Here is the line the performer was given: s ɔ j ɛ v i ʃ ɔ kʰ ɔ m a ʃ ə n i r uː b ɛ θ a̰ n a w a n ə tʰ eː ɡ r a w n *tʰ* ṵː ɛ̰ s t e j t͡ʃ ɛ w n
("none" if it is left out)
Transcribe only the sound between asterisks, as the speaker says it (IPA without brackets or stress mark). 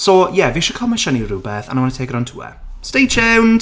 tʰ